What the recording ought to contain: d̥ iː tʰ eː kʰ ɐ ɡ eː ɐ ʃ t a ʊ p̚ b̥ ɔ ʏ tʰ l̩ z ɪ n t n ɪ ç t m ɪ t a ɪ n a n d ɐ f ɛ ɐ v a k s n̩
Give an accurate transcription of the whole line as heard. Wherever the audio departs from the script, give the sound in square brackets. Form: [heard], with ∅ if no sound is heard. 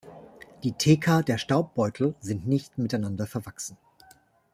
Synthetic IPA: d̥ iː tʰ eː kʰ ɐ [d] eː ɐ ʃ t a ʊ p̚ b̥ ɔ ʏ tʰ l̩ z ɪ n t n ɪ ç t m ɪ t a ɪ n a n d ɐ f ɛ ɐ v a k s n̩